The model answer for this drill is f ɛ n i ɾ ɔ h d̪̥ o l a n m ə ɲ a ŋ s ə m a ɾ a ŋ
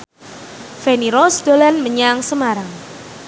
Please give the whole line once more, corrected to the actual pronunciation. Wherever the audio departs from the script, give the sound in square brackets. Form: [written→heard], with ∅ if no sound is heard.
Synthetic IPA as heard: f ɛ n i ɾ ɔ [h→s] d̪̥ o l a n m ə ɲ a ŋ s ə m a ɾ a ŋ